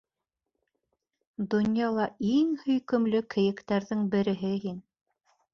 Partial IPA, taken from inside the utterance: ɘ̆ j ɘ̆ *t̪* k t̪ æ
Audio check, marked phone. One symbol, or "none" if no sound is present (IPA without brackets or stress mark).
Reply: none